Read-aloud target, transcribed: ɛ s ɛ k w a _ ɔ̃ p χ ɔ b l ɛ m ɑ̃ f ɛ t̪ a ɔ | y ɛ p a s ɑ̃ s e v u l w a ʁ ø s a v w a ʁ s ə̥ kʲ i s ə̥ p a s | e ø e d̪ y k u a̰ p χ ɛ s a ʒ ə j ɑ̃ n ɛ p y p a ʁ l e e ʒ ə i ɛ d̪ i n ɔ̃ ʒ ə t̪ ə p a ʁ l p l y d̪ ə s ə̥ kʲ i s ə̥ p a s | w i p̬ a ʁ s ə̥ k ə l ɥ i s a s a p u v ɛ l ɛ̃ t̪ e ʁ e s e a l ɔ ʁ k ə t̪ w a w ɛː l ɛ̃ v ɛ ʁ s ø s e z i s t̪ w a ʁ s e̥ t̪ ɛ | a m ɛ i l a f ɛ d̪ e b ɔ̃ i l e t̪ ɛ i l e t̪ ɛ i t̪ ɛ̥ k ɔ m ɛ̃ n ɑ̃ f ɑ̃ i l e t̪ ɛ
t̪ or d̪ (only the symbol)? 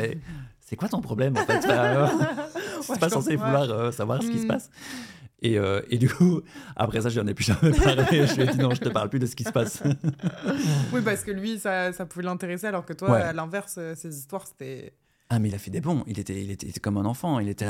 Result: t̪